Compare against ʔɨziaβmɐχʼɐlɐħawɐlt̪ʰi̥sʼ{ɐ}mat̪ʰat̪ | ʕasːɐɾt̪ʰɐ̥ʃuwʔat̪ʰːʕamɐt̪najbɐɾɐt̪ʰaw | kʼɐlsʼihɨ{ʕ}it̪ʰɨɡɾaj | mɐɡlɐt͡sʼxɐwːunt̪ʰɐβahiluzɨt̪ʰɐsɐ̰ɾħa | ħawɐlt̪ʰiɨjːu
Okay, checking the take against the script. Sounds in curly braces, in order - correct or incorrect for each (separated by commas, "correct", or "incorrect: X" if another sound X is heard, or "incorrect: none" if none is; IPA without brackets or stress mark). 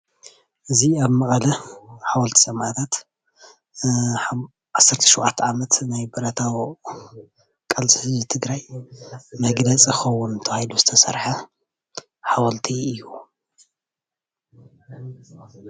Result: correct, incorrect: z